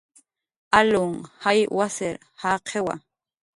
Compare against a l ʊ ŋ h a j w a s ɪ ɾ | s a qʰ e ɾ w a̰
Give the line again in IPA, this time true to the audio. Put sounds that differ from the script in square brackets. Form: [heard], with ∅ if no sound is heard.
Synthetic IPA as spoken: a l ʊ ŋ h a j w a s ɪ ɾ | [h] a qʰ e [∅] w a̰